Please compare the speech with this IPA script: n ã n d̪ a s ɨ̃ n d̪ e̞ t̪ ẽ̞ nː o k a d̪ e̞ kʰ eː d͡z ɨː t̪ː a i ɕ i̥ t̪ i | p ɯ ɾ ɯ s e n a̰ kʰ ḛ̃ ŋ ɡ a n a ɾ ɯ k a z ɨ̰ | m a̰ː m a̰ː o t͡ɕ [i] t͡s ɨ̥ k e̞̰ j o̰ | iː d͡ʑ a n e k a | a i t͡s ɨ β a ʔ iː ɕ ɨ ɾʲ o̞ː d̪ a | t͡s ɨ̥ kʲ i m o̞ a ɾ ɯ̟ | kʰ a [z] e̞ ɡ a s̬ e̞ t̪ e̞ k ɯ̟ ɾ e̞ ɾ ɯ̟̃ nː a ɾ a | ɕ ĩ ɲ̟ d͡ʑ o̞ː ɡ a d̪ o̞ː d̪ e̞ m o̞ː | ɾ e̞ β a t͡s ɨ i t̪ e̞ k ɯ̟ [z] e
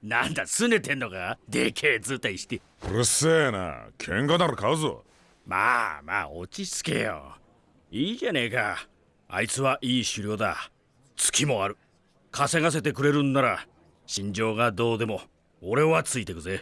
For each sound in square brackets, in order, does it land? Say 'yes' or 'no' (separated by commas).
yes, no, yes